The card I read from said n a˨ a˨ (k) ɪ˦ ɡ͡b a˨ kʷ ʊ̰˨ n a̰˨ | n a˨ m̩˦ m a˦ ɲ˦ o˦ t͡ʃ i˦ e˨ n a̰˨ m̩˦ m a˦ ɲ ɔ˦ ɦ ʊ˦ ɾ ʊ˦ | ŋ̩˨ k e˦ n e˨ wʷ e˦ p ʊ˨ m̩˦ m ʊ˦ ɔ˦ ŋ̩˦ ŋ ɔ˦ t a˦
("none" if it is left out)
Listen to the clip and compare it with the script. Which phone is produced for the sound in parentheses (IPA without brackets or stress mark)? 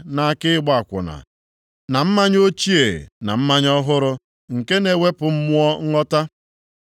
k